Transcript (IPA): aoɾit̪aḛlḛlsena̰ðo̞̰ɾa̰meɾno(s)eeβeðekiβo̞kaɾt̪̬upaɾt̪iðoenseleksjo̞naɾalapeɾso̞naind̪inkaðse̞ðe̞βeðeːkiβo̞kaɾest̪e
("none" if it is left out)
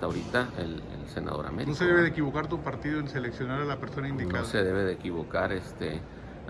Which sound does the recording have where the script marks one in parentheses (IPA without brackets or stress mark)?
s